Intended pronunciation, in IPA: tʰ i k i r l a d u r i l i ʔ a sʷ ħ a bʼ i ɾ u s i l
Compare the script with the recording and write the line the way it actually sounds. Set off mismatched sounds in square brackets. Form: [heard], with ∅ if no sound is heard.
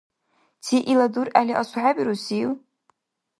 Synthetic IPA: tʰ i [ʔ] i [∅] l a d u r [a] l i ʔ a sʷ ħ a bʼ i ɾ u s i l